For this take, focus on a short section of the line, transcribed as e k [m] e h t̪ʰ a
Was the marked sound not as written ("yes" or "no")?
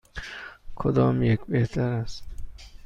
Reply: yes